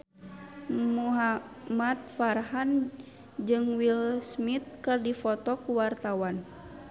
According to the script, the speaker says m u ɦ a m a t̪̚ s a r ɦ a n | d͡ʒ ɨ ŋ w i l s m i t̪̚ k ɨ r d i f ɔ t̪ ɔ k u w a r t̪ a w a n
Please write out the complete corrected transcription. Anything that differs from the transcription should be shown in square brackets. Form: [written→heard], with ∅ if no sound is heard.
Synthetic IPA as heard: m u ɦ a m a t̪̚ [s→f] a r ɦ a n | d͡ʒ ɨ ŋ w i l s m i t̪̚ k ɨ r d i f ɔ t̪ ɔ k u w a r t̪ a w a n